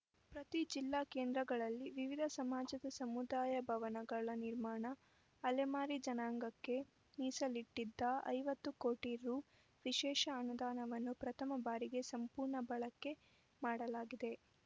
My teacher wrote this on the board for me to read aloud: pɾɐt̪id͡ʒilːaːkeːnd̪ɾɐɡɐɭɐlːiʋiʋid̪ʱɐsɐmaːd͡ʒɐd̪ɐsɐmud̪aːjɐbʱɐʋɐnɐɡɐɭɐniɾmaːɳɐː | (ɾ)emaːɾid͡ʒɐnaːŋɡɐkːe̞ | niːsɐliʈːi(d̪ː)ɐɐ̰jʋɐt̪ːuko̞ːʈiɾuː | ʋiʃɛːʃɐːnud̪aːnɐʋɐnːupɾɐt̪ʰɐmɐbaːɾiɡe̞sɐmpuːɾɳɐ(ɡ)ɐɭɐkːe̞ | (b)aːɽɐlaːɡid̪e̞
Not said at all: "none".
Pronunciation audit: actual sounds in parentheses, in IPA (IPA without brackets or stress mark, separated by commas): l, d̪ː, b, m